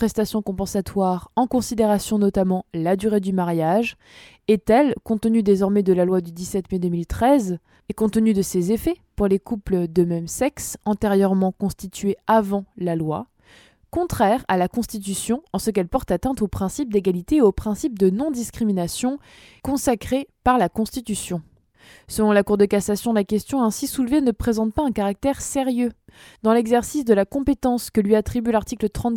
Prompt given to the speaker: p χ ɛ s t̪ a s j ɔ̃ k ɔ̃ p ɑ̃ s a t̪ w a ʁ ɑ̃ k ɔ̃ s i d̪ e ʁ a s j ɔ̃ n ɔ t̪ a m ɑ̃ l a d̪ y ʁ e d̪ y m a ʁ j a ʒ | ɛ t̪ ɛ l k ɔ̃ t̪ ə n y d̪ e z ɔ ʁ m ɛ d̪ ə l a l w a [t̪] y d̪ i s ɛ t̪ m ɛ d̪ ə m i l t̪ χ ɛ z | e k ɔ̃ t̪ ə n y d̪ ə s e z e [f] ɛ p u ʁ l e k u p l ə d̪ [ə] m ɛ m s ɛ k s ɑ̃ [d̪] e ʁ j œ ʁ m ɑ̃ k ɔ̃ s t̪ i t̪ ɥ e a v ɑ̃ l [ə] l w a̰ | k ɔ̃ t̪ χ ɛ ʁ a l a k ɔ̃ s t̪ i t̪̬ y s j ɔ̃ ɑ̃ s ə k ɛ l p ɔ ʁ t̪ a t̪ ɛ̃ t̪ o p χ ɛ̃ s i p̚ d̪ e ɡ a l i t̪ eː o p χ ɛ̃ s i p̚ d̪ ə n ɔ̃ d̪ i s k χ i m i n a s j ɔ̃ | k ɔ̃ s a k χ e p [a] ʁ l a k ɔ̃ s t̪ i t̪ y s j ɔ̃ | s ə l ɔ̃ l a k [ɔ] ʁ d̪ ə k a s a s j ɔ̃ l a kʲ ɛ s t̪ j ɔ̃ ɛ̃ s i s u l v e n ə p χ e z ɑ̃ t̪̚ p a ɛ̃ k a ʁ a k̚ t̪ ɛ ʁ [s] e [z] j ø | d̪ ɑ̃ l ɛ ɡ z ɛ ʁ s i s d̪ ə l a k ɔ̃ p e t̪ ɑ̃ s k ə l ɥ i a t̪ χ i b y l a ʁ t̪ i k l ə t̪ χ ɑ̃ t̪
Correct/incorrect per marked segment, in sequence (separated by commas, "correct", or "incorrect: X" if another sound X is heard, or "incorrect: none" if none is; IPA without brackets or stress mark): incorrect: d̪, correct, correct, incorrect: t̪, incorrect: a, correct, incorrect: u, correct, incorrect: ʁ